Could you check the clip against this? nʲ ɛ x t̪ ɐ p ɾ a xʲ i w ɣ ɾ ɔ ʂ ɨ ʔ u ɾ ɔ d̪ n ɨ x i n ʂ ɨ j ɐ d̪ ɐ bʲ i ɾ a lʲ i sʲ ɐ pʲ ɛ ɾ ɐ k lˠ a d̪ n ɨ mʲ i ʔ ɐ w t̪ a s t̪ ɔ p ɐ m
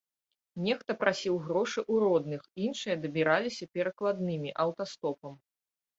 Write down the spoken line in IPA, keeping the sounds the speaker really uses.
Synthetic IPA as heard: nʲ ɛ x t̪ ɐ p ɾ a sʲ i w ɣ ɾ ɔ ʂ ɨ ʔ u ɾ ɔ d̪ n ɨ x i n ʂ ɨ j ɐ d̪ ɐ bʲ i ɾ a lʲ i sʲ ɐ pʲ ɛ ɾ ɐ k lˠ a d̪ n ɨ mʲ i ʔ ɐ w t̪ a s t̪ ɔ p ɐ m